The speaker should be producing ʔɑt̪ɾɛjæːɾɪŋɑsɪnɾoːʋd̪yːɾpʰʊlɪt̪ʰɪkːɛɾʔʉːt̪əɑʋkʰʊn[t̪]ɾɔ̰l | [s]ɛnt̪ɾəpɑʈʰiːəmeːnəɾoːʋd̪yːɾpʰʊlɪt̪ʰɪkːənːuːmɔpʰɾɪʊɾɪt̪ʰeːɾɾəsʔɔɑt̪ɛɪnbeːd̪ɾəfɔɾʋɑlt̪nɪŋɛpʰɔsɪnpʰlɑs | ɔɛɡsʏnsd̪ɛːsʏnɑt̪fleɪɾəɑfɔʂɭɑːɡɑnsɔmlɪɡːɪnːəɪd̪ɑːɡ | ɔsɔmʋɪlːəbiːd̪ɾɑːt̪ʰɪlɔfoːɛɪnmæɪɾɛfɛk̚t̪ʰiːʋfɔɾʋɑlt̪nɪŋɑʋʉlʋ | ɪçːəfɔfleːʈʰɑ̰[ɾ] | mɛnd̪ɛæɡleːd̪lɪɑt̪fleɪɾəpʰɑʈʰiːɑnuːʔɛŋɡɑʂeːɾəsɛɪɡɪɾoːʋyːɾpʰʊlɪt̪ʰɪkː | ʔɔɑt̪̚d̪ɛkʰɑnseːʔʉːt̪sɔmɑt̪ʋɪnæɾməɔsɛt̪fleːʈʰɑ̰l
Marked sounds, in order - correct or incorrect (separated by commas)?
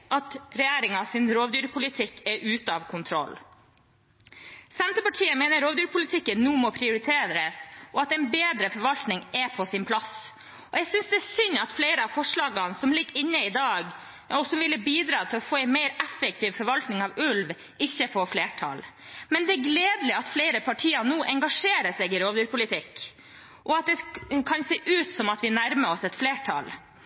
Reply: incorrect, correct, incorrect